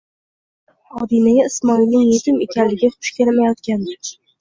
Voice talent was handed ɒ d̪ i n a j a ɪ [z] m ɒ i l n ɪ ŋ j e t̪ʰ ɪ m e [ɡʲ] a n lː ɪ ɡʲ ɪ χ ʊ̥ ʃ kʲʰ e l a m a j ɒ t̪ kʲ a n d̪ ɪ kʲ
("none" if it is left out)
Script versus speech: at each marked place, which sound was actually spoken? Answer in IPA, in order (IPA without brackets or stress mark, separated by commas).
s, kʲ